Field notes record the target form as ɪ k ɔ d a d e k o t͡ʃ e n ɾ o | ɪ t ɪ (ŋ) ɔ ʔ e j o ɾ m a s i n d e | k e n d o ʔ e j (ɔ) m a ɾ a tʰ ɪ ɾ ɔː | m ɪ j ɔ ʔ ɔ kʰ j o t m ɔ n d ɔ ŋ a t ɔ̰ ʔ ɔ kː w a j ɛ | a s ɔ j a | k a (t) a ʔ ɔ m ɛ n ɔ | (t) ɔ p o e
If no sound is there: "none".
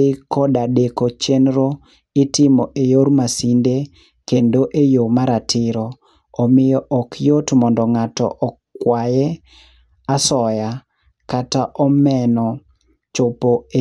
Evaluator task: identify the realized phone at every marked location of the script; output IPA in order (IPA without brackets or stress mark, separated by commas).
m, o, t, t͡ʃ